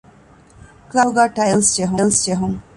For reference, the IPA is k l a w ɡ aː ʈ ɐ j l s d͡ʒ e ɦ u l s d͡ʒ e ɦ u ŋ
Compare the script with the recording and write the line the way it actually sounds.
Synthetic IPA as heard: k l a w ɡ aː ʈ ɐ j l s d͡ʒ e ɦ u l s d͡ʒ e ɦ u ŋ